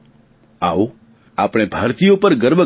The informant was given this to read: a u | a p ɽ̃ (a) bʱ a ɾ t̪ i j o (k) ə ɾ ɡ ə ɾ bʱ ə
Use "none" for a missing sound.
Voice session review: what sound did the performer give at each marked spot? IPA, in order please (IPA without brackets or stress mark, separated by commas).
e, p